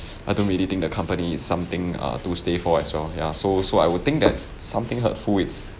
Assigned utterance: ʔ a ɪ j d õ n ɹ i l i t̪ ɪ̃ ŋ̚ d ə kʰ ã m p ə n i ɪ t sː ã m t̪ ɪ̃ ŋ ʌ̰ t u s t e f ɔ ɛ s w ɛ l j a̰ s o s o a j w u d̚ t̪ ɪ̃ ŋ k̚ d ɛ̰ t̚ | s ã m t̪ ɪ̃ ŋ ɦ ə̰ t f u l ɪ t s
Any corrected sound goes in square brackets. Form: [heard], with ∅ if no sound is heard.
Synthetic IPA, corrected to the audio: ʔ a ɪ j d õ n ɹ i l i t̪ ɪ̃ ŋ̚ d ə kʰ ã m p ə n i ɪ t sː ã m t̪ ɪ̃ ŋ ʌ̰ t u s t e f ɔ ɛ s w ɛ l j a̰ s o s o a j w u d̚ t̪ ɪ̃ ŋ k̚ d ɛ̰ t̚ | s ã m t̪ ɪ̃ ŋ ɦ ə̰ t f u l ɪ t s